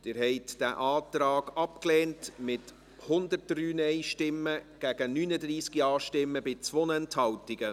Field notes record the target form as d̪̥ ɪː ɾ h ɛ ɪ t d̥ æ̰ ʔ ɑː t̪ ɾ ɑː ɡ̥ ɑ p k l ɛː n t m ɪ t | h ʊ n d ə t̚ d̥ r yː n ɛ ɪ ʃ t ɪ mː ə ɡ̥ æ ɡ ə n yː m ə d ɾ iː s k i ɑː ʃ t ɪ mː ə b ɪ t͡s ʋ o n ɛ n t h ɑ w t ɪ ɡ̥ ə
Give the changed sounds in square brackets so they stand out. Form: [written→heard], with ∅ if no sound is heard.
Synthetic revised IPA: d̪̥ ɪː ɾ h ɛ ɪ t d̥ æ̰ ʔ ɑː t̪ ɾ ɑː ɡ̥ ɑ p k l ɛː n t m ɪ t | h ʊ n d ə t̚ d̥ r yː n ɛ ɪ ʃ t ɪ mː ə ɡ̥ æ ɡ ə n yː [m→n] ə d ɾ iː s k i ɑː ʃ t ɪ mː ə b ɪ t͡s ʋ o n ɛ n t h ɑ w t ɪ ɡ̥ ə

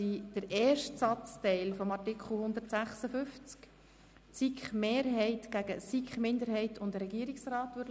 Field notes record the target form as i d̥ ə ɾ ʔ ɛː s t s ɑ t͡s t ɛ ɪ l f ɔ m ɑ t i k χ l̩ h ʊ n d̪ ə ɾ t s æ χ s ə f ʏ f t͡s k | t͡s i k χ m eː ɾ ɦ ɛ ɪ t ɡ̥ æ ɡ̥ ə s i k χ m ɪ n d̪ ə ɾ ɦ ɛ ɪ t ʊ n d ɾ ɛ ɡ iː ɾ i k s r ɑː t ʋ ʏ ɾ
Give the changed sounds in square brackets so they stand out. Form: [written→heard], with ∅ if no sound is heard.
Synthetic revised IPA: i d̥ ə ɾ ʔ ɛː [s→ʃ] t s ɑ t͡s t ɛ ɪ l f ɔ m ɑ t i k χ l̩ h ʊ n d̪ ə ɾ t s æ χ s ə f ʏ f t͡s k | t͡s i k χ m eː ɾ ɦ ɛ ɪ t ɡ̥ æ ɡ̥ ə s i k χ m ɪ n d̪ ə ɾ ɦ ɛ ɪ t ʊ n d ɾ ɛ ɡ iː ɾ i k s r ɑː t ʋ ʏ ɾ

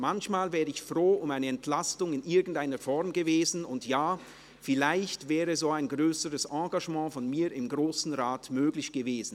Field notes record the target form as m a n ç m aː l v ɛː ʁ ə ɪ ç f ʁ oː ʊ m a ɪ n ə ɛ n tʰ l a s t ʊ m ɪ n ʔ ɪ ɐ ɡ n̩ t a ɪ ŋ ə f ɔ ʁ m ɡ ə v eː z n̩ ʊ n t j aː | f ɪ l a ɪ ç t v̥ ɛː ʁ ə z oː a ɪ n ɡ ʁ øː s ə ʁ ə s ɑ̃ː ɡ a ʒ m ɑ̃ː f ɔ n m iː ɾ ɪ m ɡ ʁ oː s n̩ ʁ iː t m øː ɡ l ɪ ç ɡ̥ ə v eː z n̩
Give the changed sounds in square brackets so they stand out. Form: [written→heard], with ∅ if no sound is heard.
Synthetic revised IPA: m a n ç m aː l v ɛː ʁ ə ɪ ç f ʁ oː ʊ m a ɪ n ə ɛ n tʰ l a s t ʊ [m→ŋ] ɪ n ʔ ɪ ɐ ɡ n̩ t a ɪ [ŋ→n] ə f ɔ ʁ m ɡ ə v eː z n̩ ʊ n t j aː | f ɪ l a ɪ ç t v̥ ɛː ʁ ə z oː a ɪ n ɡ ʁ øː s ə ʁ ə s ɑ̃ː ɡ a ʒ m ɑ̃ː f ɔ n m iː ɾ ɪ m ɡ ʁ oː s n̩ ʁ [iː→aː] t m øː ɡ l ɪ ç ɡ̥ ə v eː z n̩

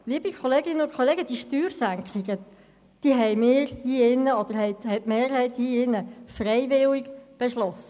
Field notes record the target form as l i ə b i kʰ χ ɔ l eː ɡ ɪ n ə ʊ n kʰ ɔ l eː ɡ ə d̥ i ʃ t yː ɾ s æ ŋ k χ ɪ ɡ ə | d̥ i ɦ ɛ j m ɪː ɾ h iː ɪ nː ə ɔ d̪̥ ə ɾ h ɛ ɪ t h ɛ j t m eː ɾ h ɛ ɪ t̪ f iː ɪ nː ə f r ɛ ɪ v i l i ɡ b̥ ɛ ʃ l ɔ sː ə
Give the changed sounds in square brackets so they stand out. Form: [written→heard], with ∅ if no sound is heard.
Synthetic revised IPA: l i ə b i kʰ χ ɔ l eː ɡ ɪ n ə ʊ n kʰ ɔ l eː ɡ ə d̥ i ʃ t yː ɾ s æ ŋ k χ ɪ ɡ ə | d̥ i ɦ ɛ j m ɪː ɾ h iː ɪ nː ə ɔ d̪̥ ə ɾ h ɛ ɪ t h ɛ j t m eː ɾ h ɛ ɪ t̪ [f→h] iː ɪ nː ə f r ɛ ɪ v [i→ɪ] l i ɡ b̥ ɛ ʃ l ɔ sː ə

